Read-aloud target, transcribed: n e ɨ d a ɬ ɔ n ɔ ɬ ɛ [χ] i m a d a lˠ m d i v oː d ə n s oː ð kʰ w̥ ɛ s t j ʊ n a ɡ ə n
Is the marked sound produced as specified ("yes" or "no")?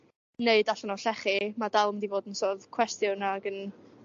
yes